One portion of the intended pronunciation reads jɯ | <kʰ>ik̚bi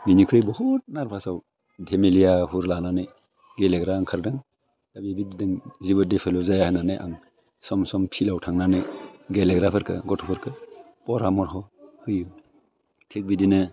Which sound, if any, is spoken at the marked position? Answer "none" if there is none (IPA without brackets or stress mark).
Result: tʰ